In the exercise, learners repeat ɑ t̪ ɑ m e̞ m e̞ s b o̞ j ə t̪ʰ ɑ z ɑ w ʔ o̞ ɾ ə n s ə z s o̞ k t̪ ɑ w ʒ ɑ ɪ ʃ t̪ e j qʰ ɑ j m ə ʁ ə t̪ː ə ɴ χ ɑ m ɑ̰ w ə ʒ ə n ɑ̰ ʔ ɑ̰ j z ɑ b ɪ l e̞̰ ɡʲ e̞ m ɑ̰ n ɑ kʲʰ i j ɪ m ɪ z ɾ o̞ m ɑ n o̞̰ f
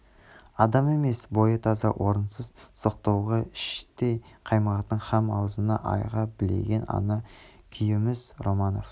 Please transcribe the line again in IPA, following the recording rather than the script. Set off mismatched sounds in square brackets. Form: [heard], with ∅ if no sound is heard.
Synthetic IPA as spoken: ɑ [d̪] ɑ m e̞ m e̞ s b o̞ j ə t̪ʰ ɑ z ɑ w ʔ o̞ ɾ ə n s ə z s o̞ [q] t̪ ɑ w [ʁ] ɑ ɪ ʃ t̪ e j qʰ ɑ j m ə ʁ [ɑ] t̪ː ə ɴ χ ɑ m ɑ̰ w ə [z] ə n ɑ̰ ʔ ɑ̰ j [ʁ] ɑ b ɪ l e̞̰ ɡʲ e̞ [n] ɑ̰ n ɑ kʲʰ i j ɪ m ɪ z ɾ o̞ m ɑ n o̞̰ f